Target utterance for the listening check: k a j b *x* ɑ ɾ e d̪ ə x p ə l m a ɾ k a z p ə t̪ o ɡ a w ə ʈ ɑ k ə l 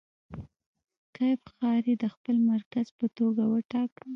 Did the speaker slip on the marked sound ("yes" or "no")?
no